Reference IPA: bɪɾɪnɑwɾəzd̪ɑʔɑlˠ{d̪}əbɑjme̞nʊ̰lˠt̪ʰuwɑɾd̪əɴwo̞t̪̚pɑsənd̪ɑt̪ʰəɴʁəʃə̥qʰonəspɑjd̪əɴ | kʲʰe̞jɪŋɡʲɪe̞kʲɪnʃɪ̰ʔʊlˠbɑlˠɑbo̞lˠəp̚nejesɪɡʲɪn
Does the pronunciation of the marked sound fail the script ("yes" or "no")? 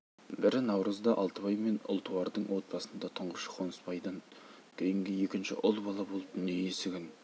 yes